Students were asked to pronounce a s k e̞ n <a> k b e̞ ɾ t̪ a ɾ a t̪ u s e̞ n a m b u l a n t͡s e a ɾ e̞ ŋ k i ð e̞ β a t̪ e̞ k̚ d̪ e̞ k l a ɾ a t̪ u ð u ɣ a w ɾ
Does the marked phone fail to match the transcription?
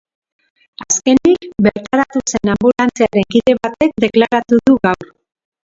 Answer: yes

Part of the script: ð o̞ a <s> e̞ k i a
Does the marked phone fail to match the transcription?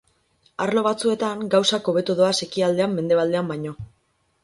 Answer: no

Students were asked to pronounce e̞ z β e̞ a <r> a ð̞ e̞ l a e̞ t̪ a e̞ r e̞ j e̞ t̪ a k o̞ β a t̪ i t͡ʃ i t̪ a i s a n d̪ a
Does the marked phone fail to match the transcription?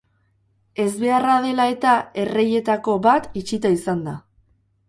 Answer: no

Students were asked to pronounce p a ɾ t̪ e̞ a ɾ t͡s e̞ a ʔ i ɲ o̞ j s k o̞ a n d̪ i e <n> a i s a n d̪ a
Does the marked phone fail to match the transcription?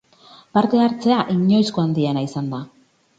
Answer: no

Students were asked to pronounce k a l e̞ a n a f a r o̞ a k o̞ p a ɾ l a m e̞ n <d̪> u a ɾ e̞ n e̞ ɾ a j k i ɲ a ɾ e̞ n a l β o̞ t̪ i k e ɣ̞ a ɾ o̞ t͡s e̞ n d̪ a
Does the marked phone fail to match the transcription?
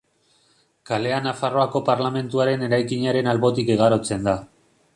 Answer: yes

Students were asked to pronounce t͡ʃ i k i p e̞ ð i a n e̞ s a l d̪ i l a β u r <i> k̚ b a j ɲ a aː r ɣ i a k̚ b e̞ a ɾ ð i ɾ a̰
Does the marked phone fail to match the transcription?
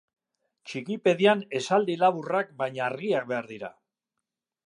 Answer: yes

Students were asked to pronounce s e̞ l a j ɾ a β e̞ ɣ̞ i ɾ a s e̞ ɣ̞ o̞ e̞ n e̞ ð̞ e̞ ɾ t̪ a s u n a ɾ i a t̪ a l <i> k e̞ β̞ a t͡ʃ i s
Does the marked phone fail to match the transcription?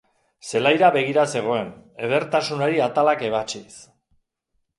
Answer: yes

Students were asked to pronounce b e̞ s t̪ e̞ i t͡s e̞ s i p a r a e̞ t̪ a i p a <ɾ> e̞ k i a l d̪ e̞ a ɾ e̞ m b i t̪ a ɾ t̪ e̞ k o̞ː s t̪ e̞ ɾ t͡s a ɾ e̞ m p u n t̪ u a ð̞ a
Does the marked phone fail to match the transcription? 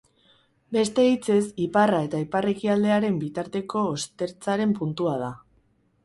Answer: yes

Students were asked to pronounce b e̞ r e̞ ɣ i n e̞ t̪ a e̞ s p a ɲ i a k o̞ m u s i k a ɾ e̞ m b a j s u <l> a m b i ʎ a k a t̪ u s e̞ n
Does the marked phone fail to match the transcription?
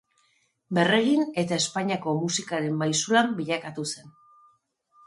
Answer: no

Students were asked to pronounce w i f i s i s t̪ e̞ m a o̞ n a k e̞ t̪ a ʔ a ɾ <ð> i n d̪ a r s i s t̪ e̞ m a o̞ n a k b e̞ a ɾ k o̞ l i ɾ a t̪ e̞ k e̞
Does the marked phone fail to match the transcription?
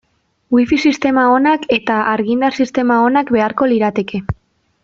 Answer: yes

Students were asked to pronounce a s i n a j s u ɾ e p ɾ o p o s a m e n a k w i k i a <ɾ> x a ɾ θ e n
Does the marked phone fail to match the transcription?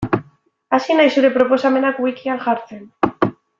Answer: yes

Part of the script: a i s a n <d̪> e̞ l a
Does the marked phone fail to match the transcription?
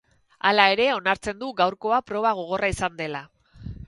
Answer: no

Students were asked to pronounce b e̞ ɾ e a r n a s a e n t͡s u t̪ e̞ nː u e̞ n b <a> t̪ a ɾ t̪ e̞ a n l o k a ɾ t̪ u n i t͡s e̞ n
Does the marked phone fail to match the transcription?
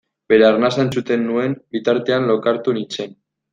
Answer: yes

